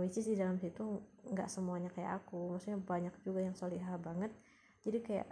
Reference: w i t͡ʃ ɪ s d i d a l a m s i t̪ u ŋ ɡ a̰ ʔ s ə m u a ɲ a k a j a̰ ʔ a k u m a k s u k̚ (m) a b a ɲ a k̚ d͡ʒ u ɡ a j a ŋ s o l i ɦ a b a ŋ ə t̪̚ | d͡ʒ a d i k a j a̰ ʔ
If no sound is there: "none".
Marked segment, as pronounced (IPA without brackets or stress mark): ɲ